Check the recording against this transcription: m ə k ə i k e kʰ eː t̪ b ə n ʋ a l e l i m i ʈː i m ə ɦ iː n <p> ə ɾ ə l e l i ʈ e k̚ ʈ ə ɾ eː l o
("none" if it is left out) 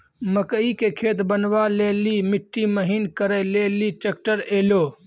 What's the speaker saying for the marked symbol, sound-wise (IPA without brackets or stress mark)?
k